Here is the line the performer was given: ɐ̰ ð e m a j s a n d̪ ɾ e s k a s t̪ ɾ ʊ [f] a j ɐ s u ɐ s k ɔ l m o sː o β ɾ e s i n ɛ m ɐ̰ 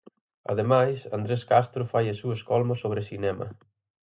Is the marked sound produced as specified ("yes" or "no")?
yes